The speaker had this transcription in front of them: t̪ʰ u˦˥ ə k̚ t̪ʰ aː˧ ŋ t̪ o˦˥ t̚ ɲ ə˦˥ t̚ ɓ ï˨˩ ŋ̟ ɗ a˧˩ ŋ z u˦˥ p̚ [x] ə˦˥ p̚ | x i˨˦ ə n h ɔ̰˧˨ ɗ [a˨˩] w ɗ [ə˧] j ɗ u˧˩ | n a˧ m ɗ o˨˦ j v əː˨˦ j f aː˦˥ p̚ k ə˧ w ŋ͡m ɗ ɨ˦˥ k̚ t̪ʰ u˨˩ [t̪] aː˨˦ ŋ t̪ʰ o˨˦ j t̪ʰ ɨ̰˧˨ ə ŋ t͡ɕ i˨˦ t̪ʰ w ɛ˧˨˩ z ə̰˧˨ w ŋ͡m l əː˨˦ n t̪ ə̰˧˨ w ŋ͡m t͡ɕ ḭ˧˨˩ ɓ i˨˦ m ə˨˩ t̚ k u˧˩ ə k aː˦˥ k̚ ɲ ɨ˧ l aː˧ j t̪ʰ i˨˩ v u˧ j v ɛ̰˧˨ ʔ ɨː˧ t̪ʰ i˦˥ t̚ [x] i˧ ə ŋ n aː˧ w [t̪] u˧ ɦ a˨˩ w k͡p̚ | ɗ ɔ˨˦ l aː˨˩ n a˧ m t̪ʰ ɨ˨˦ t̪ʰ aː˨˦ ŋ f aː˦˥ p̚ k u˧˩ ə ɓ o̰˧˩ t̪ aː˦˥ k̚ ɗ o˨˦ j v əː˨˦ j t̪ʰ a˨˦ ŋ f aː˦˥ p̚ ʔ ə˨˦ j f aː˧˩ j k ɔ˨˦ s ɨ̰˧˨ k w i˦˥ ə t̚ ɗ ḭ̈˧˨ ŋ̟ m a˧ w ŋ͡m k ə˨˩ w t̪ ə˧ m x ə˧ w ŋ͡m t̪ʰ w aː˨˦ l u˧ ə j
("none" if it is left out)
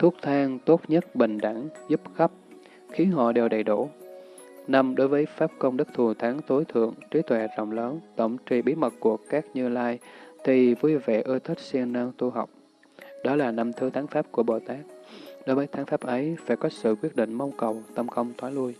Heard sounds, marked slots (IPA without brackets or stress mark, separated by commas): x, e˨˩, ə˨˩, t̪ʰ, s, t̪